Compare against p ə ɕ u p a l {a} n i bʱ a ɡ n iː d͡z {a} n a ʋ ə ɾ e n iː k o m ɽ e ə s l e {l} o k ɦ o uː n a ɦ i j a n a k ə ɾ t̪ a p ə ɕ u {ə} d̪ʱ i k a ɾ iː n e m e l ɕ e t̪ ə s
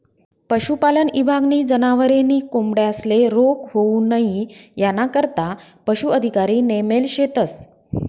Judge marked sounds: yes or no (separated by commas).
no, no, no, yes